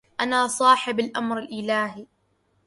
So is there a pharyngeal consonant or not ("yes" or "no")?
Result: yes